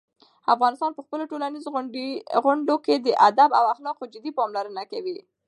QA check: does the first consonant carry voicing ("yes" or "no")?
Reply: no